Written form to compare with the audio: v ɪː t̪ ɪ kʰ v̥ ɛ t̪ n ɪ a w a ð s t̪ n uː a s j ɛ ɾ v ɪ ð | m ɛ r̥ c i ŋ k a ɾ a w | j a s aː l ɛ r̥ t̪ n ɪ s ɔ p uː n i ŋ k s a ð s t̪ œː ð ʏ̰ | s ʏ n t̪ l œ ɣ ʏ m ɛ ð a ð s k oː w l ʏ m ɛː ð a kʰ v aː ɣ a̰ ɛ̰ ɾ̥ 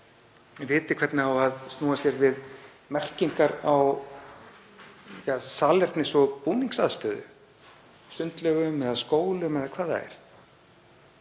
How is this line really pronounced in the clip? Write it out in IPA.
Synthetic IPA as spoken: v ɪː t̪ ɪ kʰ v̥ ɛ t̪ n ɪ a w a ð s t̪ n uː a s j ɛ ɾ v ɪ ð | m ɛ r̥ c i ŋ k a ɾ a w | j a s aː l ɛ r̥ t̪ n ɪ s ɔ p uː n i ŋ k s a ð s t̪ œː ð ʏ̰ | s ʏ n t̪ l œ ɣ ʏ m ɛ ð a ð s k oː w l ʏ m ɛ ð a kʰ v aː ð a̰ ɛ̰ ɾ̥